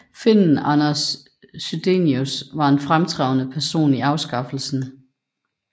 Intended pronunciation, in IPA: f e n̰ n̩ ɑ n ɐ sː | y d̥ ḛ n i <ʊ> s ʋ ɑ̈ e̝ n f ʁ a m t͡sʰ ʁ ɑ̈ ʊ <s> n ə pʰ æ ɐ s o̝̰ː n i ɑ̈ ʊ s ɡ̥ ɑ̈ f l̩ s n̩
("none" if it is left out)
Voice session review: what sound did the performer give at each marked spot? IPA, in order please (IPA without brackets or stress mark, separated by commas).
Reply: u, none